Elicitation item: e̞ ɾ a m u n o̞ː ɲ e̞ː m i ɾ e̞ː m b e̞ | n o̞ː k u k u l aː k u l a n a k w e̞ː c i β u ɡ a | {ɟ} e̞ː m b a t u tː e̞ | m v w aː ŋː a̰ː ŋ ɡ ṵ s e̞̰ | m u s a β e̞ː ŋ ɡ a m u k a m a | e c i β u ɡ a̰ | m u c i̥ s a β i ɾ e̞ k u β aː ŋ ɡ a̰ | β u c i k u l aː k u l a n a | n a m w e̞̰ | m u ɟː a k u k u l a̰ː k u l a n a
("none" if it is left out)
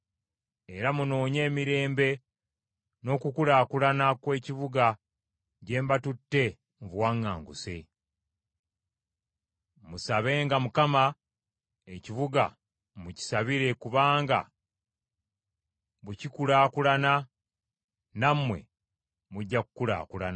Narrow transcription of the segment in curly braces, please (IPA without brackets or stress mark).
ɟ